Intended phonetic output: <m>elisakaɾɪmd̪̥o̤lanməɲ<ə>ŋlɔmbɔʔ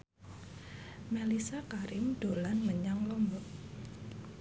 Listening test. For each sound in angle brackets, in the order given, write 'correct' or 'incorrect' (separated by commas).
correct, incorrect